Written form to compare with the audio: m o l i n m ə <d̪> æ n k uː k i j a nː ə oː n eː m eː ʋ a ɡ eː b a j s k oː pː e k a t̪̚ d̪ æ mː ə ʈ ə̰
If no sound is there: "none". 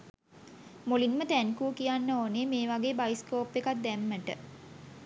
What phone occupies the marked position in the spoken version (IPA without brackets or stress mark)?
t̪